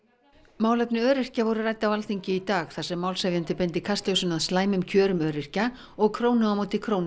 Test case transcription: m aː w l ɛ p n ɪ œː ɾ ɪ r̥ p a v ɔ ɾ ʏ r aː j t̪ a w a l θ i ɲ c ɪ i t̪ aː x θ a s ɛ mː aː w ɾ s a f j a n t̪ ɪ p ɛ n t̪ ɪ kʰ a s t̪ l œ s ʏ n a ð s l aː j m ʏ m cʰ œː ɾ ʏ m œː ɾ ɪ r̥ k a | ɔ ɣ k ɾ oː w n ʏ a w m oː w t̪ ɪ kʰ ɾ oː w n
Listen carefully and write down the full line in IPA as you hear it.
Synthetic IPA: m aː w l ɛ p n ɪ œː ɾ ɪ r̥ c a v ɔ ɾ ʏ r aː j t̪ a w a l θ i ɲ c ɪ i t̪ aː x θ a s ɛ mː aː w l s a v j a n t̪ ɪ p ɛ n t̪ ɪ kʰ a s t̪ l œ s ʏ n a ð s l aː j m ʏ m cʰ œː ɾ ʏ m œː ɾ ɪ r̥ c a | ɔ ɣ kʰ ɾ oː w n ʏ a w m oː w t̪ ɪ kʰ ɾ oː w n